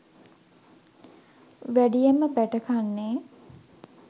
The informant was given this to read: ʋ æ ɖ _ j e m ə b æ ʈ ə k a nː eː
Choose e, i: i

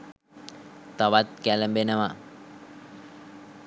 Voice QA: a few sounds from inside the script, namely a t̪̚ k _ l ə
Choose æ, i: æ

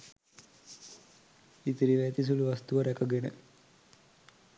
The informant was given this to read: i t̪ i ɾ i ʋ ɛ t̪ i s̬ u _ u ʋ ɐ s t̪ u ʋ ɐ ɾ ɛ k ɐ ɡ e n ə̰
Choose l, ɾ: l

